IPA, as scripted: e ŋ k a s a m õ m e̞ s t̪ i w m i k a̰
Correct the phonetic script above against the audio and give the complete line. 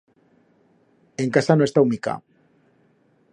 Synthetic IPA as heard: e ŋ k a s a n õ e̞ s t̪ a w m i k a̰